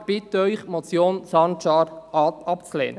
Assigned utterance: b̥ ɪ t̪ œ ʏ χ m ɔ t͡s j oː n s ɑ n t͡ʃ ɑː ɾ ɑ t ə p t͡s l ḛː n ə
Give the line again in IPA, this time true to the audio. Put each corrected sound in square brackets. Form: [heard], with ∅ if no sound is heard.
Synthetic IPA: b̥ ɪ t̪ œ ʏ χ m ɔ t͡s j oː n s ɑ n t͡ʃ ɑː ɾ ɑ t [ɑ] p t͡s l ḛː n ə